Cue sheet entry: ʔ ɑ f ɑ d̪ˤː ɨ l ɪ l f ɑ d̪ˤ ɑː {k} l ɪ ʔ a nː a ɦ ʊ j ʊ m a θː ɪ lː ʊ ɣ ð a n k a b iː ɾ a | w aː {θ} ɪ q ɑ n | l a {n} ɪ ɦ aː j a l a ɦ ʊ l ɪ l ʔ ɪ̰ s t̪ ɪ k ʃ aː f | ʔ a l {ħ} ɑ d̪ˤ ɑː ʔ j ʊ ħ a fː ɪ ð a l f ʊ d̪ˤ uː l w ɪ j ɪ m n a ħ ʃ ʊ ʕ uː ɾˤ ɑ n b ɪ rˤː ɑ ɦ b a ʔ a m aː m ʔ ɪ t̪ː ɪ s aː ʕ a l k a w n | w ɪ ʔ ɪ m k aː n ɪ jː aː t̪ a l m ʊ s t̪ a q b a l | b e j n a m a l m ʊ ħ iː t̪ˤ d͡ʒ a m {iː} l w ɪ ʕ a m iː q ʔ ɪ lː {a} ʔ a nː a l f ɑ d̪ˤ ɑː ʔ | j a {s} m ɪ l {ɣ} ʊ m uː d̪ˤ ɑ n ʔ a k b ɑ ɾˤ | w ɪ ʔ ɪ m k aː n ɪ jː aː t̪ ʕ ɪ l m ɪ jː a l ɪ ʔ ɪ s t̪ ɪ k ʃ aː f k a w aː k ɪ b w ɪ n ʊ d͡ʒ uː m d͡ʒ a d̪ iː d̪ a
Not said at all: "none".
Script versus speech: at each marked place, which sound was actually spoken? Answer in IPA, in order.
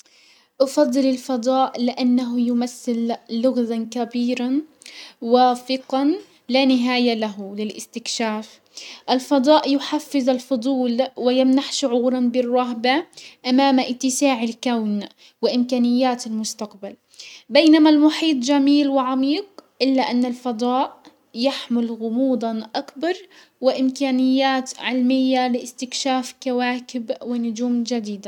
ʔ, f, n, f, iː, a, ħ, ɣ

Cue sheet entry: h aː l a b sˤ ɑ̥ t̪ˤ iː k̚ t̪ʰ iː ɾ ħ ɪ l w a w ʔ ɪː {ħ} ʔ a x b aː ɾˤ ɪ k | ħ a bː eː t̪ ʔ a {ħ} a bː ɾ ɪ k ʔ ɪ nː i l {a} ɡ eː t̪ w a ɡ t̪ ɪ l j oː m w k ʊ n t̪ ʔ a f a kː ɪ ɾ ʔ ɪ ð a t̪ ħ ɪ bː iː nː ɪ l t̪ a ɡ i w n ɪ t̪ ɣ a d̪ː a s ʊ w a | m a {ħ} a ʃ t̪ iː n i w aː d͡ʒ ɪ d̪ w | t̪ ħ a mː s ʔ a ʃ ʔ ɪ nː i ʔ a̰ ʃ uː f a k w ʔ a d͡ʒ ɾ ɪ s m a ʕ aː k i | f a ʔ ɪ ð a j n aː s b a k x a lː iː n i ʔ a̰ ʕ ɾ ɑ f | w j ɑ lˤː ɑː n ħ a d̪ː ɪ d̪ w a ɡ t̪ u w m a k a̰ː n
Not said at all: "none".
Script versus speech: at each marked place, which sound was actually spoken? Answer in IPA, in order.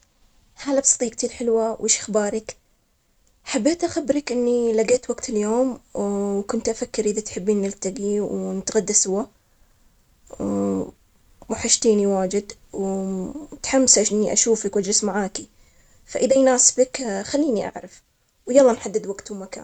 ʃ, x, a, ħ

